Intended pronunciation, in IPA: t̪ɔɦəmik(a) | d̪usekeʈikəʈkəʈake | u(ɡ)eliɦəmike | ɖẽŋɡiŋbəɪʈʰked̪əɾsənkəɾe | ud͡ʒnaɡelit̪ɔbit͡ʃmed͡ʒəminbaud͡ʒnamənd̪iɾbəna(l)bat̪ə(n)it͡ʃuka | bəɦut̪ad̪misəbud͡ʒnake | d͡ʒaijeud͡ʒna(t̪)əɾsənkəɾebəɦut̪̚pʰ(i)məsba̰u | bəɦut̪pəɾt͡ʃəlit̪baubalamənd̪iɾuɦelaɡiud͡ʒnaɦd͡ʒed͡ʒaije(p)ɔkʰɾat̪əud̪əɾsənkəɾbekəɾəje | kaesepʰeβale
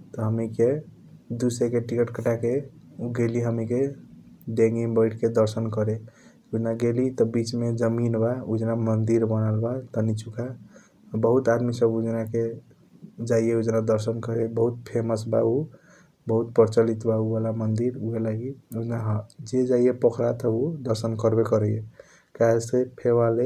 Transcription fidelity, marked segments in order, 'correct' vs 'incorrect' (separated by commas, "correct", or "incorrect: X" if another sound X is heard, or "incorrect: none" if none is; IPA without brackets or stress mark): incorrect: e, correct, correct, correct, incorrect: d̪, incorrect: e, correct